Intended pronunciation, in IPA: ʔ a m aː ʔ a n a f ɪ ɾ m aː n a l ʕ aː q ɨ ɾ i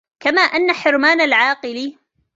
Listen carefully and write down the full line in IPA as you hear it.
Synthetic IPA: k a m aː ʔ a nː a ħ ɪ ɾ m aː n a l ʕ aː q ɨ l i